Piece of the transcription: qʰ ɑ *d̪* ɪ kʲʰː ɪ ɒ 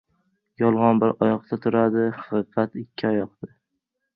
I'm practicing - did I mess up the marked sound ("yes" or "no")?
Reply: yes